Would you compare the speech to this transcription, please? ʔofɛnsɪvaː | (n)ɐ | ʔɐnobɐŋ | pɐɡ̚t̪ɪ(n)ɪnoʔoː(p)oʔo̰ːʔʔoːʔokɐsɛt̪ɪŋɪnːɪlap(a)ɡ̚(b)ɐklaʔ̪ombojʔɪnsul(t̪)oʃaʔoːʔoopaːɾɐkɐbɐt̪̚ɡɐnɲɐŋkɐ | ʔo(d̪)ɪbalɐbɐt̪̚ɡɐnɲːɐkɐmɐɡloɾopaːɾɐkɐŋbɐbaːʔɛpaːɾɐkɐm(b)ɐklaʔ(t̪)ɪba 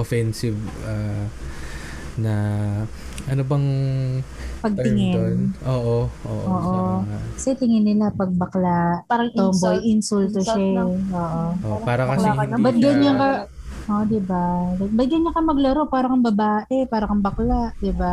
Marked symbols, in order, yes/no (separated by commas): yes, no, no, no, yes, yes, yes, yes, no